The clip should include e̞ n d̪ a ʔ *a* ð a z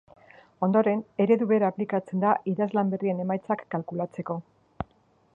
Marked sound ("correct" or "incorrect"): incorrect